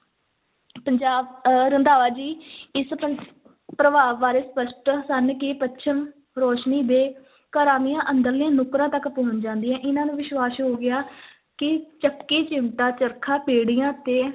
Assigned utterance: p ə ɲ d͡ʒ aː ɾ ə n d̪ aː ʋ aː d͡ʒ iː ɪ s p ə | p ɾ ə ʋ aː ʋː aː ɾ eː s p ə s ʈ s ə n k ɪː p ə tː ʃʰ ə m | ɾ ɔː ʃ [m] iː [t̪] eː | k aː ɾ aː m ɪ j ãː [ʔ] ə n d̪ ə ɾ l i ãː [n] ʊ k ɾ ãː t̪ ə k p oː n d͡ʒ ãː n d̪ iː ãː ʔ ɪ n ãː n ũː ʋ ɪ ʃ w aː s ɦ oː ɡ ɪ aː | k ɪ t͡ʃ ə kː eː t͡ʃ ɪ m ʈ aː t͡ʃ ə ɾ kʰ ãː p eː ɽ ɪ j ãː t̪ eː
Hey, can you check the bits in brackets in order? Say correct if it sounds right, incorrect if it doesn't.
incorrect: n, incorrect: d̪, correct, correct

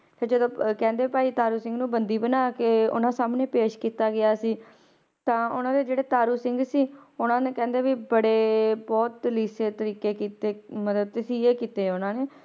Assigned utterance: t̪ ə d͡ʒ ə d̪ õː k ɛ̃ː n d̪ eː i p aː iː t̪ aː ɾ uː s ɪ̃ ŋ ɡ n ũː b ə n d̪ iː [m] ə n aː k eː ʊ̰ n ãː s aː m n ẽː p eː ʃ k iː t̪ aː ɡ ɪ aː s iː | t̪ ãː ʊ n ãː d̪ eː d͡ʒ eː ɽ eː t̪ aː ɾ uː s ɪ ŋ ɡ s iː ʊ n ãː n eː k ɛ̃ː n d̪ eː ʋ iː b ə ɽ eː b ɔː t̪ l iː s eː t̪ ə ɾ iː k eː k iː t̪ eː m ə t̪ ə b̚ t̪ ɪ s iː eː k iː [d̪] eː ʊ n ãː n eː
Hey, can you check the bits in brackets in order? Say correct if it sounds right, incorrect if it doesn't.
incorrect: b, incorrect: t̪

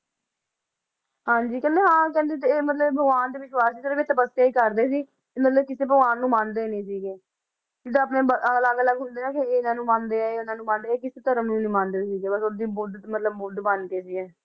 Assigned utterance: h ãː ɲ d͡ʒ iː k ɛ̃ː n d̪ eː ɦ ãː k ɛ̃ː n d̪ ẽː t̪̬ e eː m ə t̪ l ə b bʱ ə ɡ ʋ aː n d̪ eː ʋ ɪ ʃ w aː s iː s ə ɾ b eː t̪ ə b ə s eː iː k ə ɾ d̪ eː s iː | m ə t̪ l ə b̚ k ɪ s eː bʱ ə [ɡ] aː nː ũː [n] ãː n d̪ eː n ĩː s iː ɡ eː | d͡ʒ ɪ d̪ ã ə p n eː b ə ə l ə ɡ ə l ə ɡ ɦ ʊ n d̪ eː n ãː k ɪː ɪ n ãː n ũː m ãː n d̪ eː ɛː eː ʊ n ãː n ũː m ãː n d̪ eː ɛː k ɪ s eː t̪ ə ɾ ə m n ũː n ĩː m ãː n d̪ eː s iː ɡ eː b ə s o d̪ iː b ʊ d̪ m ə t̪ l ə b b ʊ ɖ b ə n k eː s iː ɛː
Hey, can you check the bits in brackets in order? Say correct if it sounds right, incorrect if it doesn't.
correct, incorrect: m

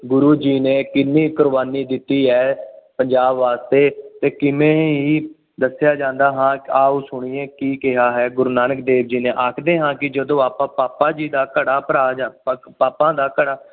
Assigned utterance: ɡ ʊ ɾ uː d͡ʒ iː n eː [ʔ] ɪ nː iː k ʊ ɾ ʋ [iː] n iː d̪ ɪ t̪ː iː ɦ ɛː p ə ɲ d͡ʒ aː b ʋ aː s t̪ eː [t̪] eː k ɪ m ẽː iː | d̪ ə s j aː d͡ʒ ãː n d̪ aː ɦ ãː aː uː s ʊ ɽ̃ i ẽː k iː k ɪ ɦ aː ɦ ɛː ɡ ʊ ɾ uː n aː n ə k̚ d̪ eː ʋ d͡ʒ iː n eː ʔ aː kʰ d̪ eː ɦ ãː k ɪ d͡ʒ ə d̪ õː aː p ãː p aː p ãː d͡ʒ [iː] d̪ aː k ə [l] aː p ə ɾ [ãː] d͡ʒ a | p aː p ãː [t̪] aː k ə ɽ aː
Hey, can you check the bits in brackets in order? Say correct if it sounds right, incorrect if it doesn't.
incorrect: k, incorrect: aː, correct, correct, incorrect: ɽ, incorrect: aː, incorrect: d̪

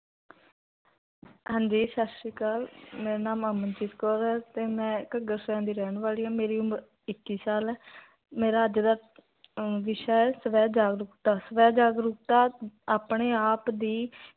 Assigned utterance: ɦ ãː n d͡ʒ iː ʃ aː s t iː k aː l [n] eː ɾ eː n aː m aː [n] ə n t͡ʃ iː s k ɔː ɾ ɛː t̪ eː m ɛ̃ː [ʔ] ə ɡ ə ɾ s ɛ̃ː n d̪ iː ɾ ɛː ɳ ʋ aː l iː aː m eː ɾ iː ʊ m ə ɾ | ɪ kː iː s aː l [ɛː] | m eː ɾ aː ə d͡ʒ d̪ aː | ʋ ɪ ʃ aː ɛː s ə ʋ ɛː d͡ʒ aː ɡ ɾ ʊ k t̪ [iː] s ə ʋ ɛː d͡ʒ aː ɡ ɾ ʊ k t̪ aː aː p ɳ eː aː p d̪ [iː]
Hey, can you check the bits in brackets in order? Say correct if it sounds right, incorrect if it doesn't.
incorrect: m, incorrect: m, incorrect: k, correct, incorrect: aː, correct

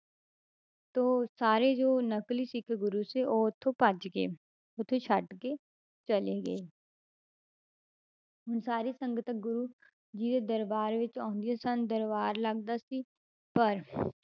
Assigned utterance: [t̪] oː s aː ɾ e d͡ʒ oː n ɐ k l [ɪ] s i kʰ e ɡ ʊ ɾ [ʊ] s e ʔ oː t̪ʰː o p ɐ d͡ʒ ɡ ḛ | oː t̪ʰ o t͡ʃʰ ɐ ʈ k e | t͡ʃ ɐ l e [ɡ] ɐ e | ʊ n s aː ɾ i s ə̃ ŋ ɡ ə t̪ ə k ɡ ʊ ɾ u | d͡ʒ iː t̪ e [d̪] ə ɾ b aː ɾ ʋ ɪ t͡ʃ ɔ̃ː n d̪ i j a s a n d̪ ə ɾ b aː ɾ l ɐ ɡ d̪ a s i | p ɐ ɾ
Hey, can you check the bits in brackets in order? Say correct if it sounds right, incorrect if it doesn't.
correct, incorrect: i, incorrect: u, correct, correct

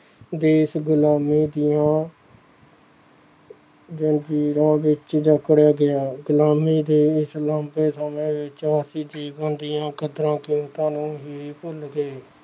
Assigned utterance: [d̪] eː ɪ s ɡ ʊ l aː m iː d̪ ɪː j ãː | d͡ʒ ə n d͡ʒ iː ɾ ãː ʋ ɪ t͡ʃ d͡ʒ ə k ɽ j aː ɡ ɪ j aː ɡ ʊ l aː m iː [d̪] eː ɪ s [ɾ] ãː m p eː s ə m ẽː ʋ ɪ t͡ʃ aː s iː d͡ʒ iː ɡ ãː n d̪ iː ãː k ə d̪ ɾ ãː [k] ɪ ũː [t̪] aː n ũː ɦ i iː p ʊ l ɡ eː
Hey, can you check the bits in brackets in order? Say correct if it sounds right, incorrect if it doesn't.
correct, correct, incorrect: l, correct, correct

